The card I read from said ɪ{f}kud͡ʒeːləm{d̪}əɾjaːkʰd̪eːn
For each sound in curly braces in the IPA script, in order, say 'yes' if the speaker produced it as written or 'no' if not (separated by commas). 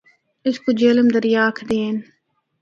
no, yes